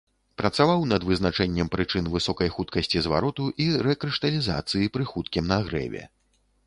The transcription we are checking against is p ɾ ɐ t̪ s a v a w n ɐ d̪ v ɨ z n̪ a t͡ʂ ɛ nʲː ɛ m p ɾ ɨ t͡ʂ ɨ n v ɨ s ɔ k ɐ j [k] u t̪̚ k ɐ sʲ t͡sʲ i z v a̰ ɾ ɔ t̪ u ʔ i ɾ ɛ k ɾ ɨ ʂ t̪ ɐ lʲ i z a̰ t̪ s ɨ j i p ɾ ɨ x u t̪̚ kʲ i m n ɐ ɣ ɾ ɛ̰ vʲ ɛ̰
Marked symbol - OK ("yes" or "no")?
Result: no